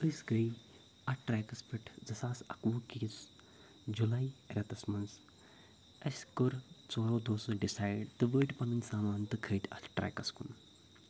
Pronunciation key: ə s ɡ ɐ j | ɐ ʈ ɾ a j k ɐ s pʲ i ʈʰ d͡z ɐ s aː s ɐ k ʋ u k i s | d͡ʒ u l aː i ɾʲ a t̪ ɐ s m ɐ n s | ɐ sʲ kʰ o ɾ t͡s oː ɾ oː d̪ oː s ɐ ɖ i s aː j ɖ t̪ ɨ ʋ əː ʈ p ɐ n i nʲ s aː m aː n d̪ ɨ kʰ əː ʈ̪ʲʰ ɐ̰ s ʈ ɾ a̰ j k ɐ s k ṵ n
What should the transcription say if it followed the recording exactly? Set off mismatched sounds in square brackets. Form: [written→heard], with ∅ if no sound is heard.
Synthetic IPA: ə s ɡ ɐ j | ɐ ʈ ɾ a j k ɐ s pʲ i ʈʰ d͡z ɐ s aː s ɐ k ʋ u k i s | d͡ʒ u l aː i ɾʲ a t̪ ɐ s m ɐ n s | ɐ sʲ [kʰ→k] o ɾ t͡s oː ɾ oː d̪ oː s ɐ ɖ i s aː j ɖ t̪ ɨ ʋ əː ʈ p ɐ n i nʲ s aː m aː n [d̪→t̪] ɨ kʰ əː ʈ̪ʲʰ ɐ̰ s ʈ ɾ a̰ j k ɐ s k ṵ n